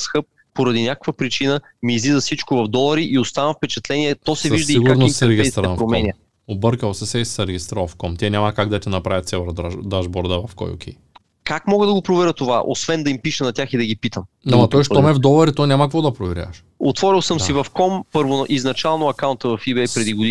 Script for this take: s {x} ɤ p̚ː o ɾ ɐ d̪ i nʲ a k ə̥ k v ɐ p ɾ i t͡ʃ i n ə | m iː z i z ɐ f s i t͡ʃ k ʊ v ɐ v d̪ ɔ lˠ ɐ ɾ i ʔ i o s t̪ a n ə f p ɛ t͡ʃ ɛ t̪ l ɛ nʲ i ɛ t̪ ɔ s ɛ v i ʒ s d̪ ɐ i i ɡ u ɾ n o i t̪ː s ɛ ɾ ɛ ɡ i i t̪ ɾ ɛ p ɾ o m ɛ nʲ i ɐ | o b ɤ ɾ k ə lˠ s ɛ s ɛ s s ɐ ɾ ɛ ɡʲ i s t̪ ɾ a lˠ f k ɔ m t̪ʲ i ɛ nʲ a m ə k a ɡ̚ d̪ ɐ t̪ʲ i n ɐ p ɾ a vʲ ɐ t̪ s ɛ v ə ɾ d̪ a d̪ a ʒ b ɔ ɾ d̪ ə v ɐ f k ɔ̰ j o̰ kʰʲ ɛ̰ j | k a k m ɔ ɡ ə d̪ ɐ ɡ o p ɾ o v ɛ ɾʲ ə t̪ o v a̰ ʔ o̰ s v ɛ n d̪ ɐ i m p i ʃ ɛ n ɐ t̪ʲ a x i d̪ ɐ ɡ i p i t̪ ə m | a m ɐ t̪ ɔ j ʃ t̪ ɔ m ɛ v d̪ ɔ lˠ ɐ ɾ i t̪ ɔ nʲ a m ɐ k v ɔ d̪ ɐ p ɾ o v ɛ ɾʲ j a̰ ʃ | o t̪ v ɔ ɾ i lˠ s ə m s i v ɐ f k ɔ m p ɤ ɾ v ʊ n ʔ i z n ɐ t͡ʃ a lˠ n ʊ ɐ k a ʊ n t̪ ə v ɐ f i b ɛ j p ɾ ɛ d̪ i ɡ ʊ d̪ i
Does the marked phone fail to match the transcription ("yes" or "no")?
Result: no